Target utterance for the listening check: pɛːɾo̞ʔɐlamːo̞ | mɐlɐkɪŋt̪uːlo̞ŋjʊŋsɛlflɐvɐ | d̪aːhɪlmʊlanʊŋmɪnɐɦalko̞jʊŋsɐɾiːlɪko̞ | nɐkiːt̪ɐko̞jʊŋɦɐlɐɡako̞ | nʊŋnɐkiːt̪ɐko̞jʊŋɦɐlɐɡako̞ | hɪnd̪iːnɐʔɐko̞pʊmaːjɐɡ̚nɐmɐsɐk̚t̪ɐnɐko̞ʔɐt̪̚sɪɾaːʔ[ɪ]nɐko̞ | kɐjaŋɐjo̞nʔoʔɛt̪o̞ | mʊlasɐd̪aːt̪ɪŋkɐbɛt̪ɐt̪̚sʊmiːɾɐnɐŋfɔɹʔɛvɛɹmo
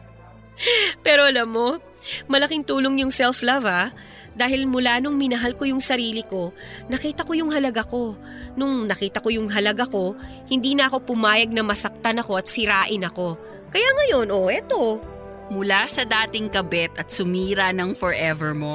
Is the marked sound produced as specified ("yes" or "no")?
yes